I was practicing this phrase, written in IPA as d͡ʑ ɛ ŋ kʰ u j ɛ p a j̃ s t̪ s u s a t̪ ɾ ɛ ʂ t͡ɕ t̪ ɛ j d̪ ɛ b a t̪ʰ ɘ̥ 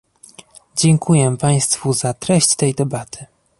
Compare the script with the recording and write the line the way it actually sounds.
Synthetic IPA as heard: d͡ʑ ɛ ŋ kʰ u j ɛ p a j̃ s t̪ f u z a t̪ ɾ ɛ ɕ t͡ɕ t̪ ɛ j d̪ ɛ b a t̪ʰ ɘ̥